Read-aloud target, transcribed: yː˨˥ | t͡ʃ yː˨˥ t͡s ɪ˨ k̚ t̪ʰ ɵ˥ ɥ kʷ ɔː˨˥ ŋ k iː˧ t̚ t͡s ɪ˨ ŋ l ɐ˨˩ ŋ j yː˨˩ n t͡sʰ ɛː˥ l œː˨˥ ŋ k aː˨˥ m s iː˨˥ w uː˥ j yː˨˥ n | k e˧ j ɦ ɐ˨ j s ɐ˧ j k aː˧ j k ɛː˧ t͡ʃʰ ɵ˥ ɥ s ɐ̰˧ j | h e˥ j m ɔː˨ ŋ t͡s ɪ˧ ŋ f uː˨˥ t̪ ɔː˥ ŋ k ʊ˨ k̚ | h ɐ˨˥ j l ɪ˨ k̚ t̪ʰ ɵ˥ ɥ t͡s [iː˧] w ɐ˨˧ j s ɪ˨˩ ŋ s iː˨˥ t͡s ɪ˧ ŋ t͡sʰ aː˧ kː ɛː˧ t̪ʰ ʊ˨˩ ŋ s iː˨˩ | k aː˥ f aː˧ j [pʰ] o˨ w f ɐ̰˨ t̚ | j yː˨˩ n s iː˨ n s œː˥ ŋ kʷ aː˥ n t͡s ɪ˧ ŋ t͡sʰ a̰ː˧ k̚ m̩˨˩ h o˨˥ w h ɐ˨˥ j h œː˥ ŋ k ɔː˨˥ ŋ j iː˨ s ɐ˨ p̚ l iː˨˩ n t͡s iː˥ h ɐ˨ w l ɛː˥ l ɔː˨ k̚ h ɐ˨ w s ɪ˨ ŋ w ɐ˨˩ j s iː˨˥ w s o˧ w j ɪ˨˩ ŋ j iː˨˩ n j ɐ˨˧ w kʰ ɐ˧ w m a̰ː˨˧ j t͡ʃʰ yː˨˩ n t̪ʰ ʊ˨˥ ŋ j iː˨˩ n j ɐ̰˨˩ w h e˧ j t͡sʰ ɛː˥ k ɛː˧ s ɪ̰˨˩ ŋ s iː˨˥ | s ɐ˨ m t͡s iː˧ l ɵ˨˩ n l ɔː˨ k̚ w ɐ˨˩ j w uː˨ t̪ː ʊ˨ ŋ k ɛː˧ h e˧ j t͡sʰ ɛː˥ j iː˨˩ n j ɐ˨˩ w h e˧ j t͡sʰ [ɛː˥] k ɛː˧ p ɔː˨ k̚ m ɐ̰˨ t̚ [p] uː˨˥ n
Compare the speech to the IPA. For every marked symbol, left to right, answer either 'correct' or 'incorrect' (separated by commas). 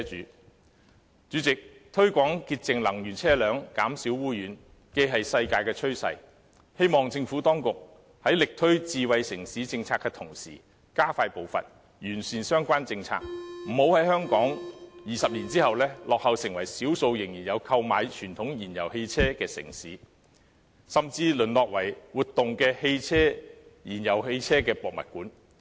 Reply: correct, incorrect, correct, incorrect